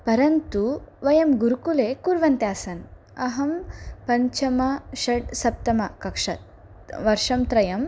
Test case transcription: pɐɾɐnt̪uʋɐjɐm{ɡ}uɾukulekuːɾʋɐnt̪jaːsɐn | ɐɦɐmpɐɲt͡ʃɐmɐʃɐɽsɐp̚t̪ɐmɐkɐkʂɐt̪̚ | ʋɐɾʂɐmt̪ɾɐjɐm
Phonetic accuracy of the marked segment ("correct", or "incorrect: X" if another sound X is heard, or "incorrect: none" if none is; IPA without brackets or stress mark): correct